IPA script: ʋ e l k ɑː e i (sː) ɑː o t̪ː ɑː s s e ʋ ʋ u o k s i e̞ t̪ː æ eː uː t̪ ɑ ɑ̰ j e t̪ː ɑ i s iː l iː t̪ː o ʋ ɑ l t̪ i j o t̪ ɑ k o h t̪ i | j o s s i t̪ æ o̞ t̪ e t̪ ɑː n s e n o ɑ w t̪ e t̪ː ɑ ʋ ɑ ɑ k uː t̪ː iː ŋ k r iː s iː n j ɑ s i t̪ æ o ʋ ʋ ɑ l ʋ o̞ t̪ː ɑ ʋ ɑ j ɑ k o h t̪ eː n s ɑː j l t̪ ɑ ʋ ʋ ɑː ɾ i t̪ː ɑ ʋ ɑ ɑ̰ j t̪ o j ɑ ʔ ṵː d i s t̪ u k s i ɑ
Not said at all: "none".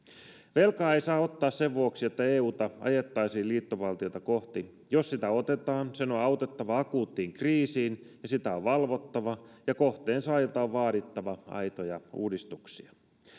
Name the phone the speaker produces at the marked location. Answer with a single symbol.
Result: s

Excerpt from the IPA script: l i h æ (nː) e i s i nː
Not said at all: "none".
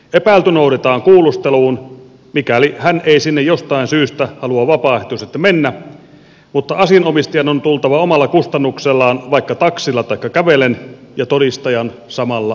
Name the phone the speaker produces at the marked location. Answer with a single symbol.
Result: n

